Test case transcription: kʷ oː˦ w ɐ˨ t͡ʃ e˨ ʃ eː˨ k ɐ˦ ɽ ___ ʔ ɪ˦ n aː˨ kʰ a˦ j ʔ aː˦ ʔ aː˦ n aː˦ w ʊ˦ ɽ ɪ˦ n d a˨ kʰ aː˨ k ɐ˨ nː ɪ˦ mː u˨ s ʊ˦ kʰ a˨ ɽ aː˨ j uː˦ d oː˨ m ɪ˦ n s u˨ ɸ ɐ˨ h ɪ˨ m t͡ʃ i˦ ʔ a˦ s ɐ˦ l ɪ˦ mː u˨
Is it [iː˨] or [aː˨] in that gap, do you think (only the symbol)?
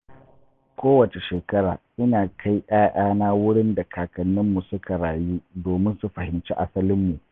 aː˨